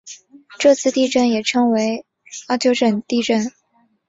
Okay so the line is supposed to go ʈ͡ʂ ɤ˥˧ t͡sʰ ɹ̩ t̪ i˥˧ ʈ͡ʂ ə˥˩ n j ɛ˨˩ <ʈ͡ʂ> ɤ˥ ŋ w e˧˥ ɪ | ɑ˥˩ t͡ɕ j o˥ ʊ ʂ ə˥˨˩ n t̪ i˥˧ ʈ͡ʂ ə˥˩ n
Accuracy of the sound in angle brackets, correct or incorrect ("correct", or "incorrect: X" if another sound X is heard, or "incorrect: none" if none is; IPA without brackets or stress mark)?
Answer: incorrect: ʈ͡ʂʰ